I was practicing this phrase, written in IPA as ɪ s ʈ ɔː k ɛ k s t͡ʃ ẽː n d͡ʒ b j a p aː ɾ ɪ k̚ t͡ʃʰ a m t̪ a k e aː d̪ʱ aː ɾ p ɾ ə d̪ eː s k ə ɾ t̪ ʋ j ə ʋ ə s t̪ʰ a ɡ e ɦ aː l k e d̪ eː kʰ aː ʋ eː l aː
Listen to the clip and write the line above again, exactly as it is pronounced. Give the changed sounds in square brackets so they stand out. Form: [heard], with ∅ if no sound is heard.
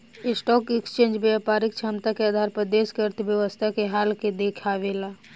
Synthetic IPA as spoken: ɪ s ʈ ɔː k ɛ k s t͡ʃ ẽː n d͡ʒ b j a p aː ɾ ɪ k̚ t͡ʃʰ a m t̪ a k e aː d̪ʱ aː ɾ p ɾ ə d̪ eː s k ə ɾ t̪ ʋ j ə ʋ ə s t̪ʰ a [k] e ɦ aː l k e d̪ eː kʰ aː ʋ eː l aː